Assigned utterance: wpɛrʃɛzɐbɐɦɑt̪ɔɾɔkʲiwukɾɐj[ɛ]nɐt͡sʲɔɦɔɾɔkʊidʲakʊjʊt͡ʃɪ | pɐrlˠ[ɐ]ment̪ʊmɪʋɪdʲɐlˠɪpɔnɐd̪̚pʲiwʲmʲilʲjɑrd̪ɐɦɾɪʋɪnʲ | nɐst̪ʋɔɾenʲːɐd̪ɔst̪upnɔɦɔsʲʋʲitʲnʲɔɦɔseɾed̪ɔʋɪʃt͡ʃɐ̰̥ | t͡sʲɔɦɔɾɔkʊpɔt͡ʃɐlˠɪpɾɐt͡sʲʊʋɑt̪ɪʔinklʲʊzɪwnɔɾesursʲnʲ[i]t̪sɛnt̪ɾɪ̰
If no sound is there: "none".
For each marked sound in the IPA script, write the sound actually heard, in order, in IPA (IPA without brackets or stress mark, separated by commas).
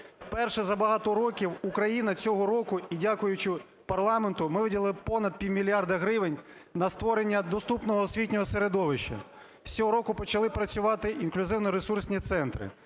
i, ɑ, i